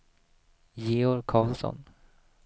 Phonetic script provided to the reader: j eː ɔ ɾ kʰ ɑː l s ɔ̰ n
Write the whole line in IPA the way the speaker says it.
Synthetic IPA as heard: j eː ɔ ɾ kʰ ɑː l s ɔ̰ n